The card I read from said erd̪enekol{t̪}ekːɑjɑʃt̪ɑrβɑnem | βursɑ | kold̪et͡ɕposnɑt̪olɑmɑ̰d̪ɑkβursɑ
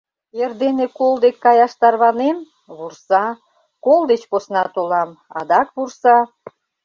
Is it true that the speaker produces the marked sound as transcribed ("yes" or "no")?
no